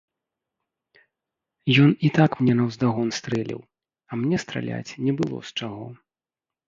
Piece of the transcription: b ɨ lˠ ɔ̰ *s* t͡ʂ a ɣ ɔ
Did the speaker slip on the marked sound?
no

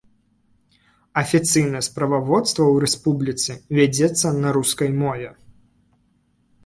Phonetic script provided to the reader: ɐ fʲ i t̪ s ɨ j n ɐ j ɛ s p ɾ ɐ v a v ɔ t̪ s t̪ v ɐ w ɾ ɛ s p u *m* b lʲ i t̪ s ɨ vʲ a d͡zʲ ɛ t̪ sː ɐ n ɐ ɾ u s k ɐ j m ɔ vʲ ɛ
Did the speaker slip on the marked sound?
yes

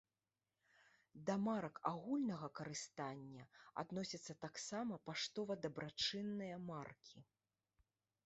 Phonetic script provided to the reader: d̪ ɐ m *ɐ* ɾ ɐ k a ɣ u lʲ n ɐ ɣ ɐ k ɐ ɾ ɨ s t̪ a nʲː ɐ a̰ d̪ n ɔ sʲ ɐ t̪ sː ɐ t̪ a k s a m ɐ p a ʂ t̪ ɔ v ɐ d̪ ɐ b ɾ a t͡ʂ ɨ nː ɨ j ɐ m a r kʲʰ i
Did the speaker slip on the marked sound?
yes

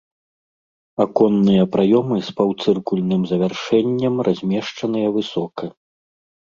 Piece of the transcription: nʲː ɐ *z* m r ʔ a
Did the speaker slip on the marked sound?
yes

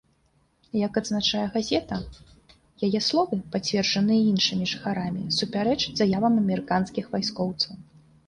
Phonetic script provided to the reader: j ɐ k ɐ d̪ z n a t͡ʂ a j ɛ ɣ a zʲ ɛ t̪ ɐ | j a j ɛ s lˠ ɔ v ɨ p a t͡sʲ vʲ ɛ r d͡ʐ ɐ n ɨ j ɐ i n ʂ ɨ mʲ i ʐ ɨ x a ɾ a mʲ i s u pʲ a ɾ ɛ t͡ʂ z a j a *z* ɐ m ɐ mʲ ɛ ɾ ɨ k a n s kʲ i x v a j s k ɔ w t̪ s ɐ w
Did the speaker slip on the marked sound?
yes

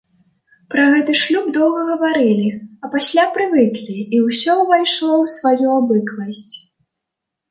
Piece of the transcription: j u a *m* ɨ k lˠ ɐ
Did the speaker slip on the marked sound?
yes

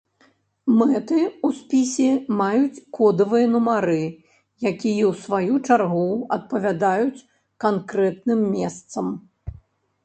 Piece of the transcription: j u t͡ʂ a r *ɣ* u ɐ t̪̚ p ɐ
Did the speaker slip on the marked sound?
no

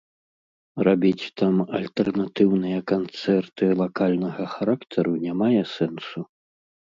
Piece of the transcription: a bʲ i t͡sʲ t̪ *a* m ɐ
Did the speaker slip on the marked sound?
no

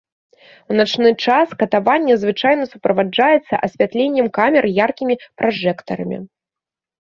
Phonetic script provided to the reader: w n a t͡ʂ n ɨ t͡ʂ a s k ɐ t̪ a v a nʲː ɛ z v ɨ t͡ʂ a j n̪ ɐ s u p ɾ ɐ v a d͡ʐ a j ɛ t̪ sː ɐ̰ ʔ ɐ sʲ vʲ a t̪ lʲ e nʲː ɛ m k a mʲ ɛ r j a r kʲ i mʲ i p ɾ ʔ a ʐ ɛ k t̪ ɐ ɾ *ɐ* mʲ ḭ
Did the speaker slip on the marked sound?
no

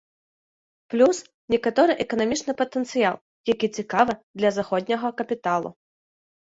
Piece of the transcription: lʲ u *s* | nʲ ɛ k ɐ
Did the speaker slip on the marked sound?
no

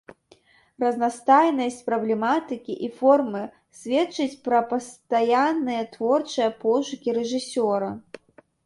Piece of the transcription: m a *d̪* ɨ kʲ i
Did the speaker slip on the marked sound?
yes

